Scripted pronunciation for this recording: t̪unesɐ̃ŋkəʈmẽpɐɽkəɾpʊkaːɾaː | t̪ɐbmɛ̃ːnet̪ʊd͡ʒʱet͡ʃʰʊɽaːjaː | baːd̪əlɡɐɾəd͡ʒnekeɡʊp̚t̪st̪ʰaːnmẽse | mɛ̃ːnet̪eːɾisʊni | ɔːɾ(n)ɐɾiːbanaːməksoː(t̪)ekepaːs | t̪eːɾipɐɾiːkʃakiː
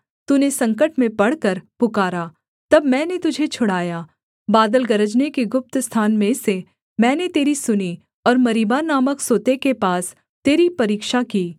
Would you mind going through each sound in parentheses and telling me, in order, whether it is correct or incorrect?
incorrect, correct

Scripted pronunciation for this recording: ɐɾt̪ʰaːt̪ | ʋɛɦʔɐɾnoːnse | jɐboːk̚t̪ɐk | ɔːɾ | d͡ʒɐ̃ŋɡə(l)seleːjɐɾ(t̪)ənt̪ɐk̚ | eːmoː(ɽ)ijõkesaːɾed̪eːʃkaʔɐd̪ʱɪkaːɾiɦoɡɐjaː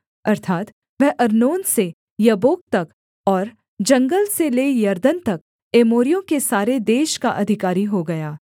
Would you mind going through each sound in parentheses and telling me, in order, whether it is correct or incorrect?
correct, incorrect, incorrect

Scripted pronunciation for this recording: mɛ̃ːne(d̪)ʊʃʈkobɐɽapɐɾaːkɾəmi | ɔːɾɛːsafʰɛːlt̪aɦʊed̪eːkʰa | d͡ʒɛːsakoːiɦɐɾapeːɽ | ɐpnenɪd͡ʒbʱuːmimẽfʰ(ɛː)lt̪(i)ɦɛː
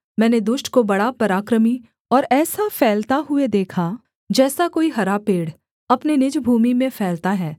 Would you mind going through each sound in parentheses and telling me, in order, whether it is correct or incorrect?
correct, correct, incorrect

